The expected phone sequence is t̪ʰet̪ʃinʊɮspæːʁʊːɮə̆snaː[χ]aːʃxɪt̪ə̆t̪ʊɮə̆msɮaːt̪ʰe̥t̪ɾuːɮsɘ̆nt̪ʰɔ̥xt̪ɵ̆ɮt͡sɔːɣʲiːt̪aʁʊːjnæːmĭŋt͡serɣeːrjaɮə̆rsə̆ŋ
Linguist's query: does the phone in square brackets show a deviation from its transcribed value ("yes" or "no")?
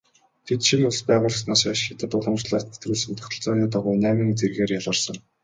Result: yes